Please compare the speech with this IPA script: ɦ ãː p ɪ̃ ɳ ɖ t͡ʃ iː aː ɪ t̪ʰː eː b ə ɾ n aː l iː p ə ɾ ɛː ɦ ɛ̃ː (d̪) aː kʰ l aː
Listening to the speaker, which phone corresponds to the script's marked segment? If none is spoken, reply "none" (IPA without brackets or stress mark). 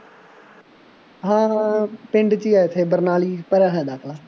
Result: d̪